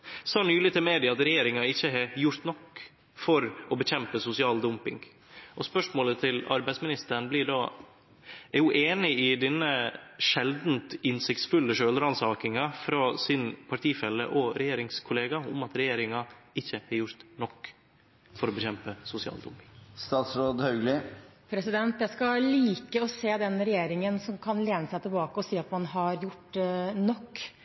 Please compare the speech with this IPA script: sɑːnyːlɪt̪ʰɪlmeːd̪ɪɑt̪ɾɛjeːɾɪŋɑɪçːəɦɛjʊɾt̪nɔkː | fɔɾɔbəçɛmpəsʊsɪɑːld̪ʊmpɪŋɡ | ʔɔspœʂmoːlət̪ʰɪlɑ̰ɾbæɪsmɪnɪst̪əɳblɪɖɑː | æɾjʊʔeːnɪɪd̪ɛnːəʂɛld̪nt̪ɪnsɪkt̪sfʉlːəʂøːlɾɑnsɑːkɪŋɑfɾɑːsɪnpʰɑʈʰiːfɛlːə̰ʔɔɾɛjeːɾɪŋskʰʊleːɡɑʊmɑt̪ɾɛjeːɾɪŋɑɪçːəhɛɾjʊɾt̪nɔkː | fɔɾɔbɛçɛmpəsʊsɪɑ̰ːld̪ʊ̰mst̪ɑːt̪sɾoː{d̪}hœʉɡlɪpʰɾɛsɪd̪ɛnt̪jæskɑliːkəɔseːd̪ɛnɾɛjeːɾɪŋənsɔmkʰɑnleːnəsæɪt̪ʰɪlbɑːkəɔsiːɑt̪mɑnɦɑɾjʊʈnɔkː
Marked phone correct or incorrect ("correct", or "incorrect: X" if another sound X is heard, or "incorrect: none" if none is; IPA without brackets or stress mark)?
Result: correct